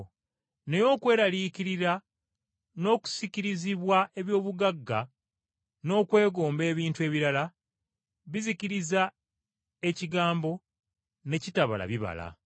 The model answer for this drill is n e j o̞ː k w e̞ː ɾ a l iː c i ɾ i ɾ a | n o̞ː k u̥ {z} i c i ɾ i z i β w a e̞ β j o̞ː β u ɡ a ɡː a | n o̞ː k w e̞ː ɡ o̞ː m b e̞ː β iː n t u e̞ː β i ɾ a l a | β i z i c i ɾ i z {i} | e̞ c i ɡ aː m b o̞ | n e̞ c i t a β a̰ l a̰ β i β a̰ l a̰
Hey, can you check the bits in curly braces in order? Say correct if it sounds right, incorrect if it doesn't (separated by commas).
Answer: incorrect, incorrect